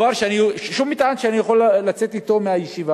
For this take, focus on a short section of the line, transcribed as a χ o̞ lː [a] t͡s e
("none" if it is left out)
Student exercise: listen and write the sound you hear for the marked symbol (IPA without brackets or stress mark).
a